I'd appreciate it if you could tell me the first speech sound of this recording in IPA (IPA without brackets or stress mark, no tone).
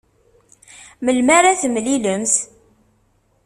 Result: m